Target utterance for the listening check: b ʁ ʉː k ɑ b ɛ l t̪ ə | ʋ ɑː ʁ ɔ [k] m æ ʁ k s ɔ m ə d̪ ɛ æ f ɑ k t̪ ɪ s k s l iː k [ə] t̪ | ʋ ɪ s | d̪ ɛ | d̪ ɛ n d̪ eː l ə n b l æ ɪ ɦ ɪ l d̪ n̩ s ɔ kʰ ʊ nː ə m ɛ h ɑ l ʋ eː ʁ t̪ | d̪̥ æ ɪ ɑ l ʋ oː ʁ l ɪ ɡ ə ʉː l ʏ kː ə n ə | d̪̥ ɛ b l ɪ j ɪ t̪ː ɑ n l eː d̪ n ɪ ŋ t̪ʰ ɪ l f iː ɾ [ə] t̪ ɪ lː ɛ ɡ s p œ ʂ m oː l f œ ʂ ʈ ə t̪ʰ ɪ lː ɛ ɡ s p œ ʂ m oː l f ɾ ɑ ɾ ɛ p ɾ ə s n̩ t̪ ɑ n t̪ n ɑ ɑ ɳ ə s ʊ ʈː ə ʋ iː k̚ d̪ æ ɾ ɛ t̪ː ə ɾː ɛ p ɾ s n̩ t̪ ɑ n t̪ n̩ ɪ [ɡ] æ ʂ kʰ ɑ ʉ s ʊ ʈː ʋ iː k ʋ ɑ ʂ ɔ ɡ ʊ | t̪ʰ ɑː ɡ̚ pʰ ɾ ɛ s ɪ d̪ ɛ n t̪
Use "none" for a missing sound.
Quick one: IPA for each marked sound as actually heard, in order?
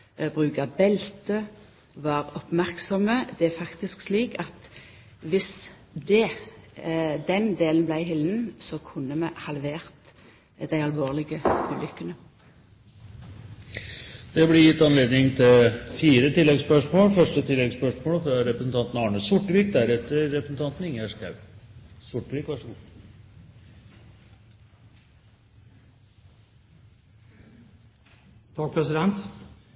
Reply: p, ɑ, ə, ŋ

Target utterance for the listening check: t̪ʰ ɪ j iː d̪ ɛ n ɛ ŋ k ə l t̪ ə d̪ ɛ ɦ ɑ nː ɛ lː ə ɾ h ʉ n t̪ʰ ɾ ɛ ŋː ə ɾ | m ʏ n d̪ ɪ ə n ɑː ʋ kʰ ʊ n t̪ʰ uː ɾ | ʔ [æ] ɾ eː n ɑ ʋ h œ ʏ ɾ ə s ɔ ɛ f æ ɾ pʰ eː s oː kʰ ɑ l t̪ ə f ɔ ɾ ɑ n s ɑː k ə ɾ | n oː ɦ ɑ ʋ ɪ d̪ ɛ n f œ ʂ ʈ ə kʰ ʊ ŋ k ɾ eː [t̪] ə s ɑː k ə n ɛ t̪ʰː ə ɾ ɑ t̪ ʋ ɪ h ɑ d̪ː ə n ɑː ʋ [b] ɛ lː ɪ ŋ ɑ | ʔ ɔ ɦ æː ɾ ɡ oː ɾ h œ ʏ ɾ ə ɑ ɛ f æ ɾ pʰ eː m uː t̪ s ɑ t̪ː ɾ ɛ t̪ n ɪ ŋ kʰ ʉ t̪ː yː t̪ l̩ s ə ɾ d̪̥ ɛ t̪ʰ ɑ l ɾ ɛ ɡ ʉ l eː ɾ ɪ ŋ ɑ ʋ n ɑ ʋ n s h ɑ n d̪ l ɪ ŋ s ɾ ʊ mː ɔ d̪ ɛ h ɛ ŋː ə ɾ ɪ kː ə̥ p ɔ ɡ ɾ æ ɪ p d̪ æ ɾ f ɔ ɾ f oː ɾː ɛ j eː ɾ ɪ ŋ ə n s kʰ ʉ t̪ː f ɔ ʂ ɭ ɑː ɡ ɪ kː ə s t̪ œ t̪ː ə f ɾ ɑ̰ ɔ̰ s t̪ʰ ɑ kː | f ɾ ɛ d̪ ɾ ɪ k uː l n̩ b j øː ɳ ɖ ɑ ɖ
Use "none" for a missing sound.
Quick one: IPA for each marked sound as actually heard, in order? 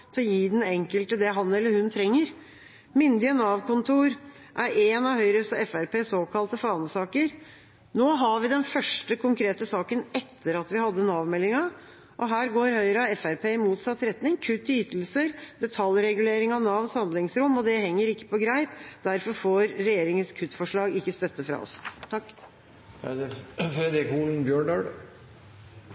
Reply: æ, t̪, m

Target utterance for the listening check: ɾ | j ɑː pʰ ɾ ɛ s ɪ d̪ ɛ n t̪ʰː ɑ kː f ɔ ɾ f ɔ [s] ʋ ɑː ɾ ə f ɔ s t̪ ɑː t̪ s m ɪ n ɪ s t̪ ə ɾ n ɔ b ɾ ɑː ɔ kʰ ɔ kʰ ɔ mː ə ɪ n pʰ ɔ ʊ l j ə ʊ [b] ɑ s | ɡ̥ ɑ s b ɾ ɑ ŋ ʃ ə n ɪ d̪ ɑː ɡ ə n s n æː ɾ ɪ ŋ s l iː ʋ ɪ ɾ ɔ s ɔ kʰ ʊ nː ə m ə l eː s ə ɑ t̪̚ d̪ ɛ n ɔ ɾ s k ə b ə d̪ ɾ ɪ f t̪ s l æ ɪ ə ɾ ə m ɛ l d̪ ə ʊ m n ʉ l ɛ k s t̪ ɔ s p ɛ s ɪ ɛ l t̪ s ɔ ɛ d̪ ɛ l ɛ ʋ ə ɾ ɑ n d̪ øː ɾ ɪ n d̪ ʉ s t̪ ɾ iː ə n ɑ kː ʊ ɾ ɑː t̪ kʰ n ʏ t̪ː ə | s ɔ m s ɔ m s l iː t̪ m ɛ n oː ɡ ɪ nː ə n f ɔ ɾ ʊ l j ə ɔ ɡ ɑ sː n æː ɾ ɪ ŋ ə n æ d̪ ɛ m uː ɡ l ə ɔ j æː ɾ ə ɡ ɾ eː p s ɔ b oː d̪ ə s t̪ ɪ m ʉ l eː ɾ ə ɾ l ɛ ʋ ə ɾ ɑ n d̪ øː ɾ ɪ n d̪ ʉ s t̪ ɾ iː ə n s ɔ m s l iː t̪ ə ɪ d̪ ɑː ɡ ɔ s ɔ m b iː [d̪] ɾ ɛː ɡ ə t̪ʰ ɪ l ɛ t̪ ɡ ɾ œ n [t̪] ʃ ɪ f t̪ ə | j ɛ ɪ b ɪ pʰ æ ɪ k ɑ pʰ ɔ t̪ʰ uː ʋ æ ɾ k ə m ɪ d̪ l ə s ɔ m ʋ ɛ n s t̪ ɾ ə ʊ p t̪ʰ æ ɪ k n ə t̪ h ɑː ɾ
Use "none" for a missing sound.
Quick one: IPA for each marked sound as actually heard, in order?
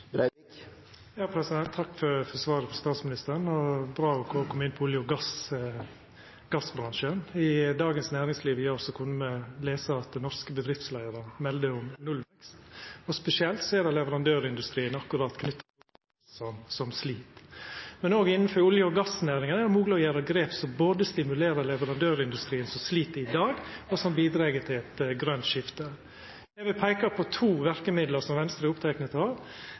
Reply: s, ɡ, d̪, t̪

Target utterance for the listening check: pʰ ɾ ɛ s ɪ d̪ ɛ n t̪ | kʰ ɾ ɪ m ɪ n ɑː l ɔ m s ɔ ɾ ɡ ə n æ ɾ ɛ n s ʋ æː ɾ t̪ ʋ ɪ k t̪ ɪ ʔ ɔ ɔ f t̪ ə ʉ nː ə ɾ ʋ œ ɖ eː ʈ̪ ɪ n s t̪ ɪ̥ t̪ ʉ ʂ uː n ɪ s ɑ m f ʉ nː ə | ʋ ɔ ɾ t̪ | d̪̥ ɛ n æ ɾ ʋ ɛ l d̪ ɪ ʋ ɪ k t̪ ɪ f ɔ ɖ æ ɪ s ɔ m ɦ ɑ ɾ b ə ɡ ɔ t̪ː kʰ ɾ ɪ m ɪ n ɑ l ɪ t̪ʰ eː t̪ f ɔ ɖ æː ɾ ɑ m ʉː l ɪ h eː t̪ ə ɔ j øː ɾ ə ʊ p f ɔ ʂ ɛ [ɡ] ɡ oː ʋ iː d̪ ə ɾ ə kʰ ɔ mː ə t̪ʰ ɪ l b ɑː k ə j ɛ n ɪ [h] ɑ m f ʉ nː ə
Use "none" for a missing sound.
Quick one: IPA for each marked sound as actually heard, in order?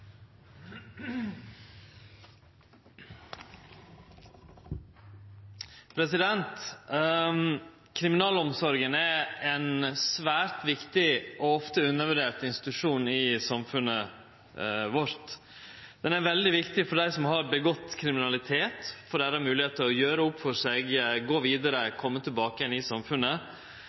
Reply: ɡ, s

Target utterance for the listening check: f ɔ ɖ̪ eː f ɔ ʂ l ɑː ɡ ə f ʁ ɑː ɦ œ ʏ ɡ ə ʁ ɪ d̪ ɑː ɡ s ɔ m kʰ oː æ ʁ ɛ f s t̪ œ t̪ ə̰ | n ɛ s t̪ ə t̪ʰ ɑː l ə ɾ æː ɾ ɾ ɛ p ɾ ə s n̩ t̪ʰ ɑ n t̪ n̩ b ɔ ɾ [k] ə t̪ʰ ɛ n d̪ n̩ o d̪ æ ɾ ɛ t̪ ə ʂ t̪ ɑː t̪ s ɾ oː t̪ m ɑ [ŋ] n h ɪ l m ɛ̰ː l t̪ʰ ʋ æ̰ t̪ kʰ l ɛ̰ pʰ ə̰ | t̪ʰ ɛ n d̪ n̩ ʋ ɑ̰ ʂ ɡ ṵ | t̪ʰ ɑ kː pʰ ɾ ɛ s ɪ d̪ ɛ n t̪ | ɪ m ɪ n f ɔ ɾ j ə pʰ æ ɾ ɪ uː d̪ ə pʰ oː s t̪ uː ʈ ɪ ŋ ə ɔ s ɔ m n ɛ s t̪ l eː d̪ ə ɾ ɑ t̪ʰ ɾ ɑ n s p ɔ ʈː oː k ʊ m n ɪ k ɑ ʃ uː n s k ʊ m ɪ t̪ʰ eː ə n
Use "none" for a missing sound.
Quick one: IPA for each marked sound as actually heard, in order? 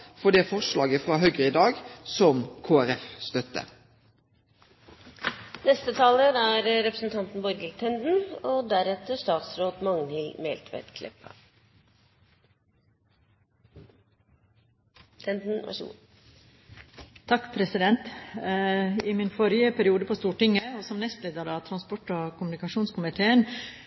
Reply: ɡ, ŋ

